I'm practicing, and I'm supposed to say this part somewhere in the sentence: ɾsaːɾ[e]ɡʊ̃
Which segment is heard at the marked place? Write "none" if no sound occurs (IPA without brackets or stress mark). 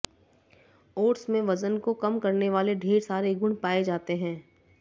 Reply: e